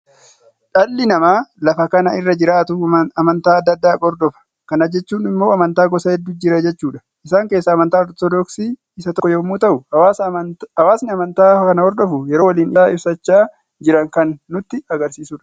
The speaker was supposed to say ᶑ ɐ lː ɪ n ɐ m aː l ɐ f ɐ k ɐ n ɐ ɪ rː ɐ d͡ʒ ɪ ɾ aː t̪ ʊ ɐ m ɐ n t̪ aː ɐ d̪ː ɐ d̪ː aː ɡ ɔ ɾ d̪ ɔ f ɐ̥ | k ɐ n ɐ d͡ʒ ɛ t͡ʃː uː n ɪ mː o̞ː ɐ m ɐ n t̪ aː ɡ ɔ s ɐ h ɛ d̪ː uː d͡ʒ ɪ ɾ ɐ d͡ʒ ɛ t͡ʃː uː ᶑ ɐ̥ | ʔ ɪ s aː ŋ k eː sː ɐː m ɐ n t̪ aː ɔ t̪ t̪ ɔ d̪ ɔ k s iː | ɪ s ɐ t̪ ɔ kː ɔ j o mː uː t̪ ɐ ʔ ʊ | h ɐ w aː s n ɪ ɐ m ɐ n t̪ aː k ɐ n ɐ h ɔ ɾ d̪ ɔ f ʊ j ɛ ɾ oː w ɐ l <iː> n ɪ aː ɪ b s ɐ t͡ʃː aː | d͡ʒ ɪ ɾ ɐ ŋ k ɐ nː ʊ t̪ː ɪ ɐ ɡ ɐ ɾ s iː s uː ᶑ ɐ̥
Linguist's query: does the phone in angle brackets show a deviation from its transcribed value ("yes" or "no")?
no